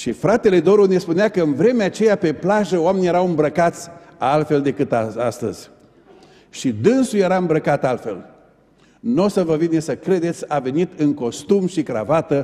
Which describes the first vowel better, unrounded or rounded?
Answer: unrounded